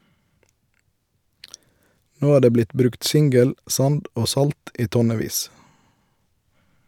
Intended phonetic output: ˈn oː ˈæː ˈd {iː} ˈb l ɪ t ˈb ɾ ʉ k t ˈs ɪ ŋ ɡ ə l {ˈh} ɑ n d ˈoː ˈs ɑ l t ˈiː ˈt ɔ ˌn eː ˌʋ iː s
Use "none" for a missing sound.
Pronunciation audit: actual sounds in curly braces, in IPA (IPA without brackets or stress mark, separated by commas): eː, s